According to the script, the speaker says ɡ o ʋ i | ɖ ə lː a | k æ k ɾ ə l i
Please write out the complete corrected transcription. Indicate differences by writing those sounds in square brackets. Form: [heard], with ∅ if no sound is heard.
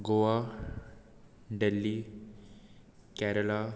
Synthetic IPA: ɡ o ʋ [a] | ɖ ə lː [i] | k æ [∅] ɾ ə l [a]